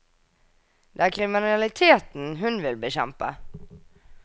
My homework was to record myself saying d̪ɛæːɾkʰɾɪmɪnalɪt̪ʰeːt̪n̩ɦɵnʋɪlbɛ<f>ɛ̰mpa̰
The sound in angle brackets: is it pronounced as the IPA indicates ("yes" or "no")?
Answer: no